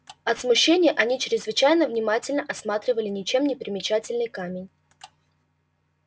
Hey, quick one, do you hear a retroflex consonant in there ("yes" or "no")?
no